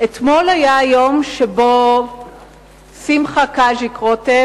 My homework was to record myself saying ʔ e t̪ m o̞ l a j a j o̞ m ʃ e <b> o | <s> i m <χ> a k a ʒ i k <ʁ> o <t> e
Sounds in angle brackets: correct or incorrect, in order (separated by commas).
correct, correct, correct, correct, correct